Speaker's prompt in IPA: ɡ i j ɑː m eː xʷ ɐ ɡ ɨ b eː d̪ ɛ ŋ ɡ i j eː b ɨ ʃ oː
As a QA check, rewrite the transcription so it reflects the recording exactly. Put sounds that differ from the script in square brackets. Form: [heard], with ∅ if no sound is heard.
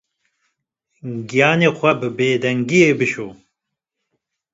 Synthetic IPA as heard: ɡ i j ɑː [n] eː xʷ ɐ [b] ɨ b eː d̪ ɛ ŋ ɡ i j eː b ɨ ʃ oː